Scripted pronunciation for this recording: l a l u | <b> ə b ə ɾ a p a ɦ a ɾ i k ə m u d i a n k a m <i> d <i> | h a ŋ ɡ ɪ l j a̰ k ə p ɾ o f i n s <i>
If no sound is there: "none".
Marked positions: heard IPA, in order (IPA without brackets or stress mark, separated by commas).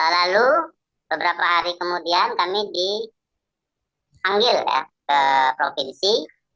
b, i, i, i